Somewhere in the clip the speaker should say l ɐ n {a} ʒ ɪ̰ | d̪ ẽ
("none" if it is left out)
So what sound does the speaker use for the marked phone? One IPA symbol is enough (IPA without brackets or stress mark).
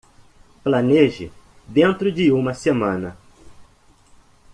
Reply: e